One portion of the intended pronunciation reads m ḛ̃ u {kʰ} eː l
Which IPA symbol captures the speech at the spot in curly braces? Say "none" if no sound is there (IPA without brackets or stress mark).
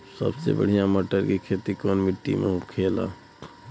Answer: kʰ